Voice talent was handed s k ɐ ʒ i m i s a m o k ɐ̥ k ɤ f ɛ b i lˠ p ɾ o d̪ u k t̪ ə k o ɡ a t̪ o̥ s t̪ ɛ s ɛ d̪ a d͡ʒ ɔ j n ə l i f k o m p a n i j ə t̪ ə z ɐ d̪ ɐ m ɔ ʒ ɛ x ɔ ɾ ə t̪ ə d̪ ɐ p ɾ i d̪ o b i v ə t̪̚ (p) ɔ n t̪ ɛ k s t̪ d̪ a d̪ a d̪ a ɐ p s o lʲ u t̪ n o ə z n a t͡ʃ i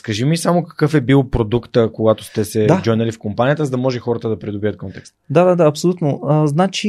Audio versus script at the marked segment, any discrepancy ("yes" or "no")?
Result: yes